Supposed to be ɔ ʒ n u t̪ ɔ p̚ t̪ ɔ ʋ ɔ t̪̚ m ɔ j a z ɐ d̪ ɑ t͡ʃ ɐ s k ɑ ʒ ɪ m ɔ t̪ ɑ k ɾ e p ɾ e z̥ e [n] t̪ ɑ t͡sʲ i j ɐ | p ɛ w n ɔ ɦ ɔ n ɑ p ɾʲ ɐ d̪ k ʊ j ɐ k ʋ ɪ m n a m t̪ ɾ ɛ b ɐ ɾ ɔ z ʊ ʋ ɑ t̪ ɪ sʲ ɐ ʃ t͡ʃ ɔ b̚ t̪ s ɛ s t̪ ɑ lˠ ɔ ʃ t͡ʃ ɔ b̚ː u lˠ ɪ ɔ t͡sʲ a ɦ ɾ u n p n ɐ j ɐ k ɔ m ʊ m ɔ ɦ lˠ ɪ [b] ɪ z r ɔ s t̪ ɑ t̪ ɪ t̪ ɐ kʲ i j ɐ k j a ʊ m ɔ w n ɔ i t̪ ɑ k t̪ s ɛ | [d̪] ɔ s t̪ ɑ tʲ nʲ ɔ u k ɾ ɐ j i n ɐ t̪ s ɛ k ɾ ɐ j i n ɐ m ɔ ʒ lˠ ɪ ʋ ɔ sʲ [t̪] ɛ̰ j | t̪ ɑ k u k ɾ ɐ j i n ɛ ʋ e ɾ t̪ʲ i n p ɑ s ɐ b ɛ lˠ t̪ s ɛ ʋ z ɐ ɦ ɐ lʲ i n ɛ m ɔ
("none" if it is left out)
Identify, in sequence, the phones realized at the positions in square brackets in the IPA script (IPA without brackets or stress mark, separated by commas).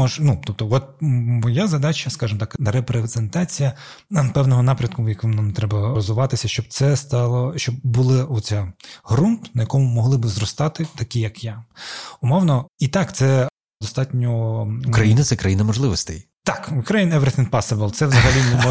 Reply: n, b, d̪, t̪